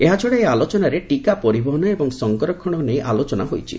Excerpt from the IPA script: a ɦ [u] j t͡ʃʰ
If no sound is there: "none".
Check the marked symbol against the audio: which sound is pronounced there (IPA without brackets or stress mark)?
o